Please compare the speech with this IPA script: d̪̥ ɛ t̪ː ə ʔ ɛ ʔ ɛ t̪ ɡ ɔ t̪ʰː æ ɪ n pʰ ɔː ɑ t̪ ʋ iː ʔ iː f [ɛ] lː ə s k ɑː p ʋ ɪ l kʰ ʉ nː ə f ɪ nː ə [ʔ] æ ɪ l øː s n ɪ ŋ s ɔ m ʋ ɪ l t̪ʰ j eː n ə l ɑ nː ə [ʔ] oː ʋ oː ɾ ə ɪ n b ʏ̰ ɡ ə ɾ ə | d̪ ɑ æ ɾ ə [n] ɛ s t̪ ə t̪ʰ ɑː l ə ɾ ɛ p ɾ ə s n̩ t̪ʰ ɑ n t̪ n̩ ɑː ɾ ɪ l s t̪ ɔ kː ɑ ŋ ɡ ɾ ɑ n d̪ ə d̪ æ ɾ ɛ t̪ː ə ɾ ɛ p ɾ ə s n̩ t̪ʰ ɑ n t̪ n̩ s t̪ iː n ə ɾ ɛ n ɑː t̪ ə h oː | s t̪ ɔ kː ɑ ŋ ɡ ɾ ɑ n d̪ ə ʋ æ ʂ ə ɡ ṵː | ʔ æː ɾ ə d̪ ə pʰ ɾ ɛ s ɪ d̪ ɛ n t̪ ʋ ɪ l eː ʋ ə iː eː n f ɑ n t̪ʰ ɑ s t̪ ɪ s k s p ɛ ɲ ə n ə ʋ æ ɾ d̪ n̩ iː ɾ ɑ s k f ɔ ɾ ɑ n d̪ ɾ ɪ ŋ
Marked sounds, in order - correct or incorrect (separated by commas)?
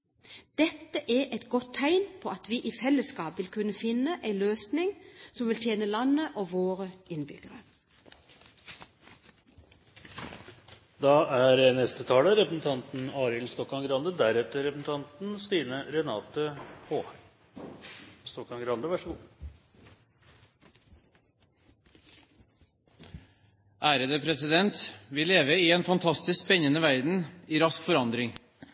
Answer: correct, correct, correct, correct